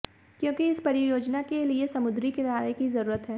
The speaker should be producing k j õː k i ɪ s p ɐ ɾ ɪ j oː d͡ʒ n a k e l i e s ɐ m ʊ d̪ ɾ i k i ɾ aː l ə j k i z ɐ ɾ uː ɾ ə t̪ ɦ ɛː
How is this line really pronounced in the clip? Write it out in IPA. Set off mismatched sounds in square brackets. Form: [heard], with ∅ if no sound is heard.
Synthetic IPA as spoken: k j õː k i ɪ s p ɐ ɾ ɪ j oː d͡ʒ n a k e l i e s ɐ m ʊ d̪ ɾ i k [e] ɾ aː [ɾ] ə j k i z ɐ ɾ uː ɾ ə t̪ ɦ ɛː